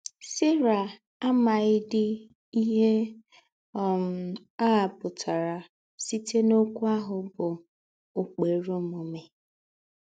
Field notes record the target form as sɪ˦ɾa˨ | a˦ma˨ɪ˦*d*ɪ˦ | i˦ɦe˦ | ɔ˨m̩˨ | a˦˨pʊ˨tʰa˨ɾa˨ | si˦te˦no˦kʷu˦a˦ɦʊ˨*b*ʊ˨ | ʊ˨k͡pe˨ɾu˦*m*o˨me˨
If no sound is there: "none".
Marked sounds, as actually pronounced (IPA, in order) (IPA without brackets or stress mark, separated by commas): d, b, m